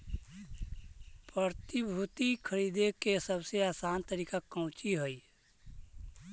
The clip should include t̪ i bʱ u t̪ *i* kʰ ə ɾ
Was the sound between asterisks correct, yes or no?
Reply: yes